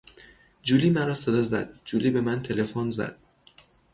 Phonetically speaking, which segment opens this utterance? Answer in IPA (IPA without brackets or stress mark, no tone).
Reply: d͡ʒ